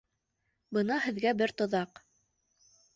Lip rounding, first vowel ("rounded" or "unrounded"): unrounded